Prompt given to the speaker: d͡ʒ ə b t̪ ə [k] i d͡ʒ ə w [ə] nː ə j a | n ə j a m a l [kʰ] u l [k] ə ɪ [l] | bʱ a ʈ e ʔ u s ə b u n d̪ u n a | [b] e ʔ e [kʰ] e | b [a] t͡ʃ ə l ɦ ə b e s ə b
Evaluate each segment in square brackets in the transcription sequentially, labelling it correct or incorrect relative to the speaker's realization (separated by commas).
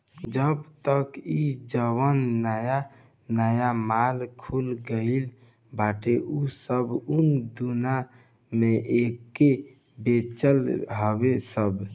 correct, correct, correct, incorrect, correct, incorrect, incorrect, incorrect